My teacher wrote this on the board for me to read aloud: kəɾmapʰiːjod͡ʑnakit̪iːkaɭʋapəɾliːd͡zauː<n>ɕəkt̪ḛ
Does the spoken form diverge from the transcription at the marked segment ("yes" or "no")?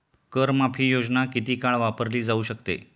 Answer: yes